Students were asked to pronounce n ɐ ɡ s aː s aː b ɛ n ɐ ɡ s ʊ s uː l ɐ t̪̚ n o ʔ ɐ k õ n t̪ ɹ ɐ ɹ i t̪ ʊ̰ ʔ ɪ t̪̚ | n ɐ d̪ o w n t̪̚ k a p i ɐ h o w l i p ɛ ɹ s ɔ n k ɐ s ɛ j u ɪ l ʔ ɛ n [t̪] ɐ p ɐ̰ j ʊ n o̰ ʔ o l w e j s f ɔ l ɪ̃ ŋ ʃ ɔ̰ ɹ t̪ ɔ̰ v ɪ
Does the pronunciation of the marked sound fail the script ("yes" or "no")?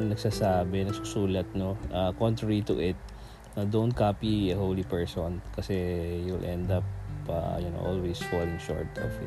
yes